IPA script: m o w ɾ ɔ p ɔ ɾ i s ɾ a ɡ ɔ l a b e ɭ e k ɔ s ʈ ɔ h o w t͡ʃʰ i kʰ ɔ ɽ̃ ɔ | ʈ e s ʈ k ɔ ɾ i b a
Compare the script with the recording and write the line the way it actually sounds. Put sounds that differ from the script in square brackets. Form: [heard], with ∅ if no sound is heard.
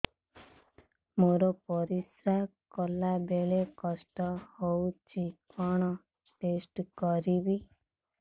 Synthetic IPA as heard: m o [∅] ɾ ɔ p ɔ ɾ i s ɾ a [k] ɔ l a b e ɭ e k ɔ s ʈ ɔ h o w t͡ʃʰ i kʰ ɔ ɽ̃ ɔ | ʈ e s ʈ k ɔ ɾ i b [i]